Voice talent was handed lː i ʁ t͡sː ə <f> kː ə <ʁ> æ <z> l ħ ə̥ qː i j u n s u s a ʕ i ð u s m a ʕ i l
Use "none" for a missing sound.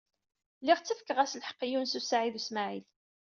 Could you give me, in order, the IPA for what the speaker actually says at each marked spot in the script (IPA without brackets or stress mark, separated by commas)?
f, ʁ, s